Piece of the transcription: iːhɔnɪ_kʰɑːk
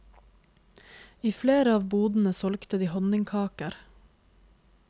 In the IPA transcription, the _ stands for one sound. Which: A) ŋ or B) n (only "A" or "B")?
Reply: A